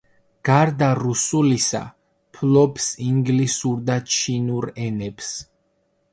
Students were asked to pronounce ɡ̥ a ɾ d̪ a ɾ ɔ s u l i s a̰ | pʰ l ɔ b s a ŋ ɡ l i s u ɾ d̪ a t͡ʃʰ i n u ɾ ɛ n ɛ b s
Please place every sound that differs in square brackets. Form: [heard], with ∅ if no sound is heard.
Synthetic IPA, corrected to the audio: ɡ̥ a ɾ d̪ a ɾ [u] s u l i s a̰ | pʰ l ɔ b s [i] ŋ ɡ l i s u ɾ d̪ a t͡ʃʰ i n u ɾ ɛ n ɛ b s